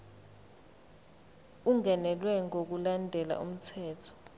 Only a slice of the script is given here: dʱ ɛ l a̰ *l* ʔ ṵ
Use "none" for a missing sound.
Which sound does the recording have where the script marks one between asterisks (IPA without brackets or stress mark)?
none